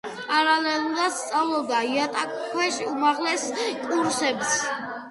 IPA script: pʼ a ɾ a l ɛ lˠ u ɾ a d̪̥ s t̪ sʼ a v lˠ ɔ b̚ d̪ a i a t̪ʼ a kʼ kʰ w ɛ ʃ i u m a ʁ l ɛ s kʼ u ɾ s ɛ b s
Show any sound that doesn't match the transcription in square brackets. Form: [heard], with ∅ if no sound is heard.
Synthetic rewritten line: pʼ a ɾ a l ɛ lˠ u ɾ a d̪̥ s t̪ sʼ a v lˠ ɔ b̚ d̪ a i a t̪ʼ a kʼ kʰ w ɛ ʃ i u m a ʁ l ɛ s kʼ u ɾ s ɛ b s